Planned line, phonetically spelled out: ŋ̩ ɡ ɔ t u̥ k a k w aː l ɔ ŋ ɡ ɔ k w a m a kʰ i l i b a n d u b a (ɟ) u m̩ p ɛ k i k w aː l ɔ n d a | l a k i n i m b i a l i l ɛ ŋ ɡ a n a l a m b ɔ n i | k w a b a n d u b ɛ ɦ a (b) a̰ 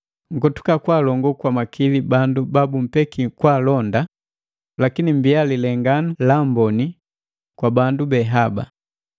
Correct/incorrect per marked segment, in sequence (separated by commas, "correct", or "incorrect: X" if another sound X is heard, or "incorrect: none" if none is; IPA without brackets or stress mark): incorrect: b, correct